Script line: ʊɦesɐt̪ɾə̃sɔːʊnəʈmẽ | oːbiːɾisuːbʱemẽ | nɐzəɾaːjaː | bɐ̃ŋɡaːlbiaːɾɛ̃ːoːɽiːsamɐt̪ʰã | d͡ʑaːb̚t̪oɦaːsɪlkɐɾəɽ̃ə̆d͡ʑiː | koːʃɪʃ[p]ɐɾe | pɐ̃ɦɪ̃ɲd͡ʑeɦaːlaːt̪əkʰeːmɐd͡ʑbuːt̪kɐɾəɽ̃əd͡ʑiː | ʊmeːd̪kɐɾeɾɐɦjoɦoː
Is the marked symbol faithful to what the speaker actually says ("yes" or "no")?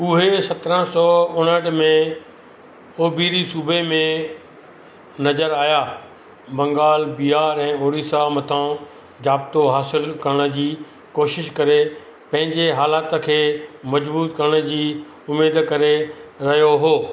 no